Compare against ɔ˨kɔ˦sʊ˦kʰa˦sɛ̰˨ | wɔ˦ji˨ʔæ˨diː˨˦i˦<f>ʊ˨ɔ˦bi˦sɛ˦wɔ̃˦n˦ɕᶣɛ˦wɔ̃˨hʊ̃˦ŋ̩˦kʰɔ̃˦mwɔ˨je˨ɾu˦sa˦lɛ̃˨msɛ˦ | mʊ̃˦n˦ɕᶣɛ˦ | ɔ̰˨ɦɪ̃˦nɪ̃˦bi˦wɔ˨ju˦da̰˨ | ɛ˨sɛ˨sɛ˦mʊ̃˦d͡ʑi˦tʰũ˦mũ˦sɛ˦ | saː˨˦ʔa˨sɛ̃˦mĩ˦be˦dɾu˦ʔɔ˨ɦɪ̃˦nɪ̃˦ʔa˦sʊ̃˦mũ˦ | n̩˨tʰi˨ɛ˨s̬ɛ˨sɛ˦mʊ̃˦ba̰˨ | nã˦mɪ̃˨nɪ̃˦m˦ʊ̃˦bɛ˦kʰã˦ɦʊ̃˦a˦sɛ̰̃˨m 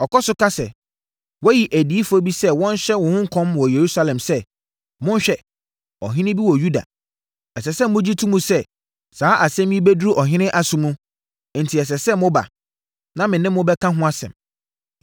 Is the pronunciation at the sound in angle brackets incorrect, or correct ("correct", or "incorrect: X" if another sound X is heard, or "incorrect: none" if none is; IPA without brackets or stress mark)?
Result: correct